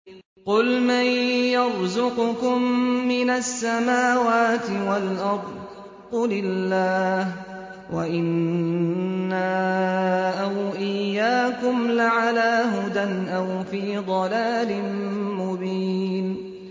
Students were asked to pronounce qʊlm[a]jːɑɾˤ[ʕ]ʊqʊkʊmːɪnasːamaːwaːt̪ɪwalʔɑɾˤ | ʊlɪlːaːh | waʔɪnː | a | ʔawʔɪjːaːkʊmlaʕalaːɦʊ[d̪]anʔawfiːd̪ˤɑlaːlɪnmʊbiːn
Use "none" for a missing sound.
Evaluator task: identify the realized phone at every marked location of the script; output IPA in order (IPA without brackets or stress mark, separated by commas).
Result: a, z, d̪